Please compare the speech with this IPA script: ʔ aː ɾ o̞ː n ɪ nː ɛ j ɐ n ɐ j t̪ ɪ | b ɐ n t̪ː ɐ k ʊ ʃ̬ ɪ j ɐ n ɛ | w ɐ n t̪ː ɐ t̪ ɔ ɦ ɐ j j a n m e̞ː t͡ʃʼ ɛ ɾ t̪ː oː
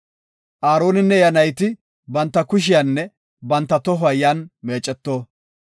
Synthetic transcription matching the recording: ʔ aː ɾ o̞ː n ɪ nː ɛ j ɐ n ɐ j t̪ ɪ | b ɐ n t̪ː ɐ k ʊ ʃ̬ ɪ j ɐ nː ɛ | b ɐ n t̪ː ɐ t̪ ɔ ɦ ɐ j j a n m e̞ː t͡ʃʼ ɛ t̪ː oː